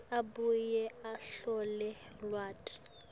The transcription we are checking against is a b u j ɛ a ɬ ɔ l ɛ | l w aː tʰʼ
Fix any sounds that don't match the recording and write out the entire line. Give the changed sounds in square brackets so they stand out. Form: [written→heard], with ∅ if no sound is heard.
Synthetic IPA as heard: a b u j ɛ a ɬ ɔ l ɛ | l w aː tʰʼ